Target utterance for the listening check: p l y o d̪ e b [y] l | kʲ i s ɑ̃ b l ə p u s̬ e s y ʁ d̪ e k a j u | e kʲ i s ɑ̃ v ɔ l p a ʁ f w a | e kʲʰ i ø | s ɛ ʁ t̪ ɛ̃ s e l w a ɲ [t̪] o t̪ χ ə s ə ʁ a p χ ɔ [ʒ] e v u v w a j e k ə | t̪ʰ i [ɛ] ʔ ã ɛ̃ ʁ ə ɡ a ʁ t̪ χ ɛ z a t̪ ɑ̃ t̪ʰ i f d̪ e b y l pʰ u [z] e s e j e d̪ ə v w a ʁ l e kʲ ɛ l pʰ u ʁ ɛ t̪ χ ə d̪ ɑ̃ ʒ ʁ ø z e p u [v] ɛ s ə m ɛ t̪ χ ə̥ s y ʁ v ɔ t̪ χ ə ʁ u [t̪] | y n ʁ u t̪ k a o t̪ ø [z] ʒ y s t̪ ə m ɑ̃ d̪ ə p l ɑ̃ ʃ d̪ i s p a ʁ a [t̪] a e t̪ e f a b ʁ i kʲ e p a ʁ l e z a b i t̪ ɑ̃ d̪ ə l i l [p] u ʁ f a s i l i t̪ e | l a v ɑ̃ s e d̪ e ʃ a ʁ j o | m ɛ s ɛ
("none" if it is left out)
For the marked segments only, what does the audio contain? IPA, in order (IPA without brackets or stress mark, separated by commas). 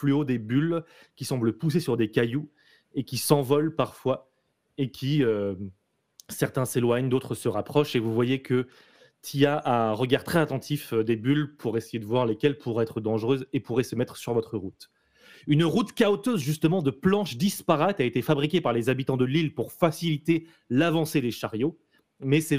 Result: y, d̪, ʃ, a, ʁ, ʁ, t̪, z, t̪, p